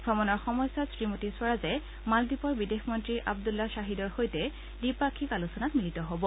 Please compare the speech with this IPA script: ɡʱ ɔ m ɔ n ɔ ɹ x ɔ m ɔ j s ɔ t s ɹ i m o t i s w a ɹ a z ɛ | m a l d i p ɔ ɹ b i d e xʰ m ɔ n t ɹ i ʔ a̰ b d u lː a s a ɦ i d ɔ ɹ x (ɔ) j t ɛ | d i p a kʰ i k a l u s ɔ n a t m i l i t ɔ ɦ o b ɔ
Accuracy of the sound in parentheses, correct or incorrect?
incorrect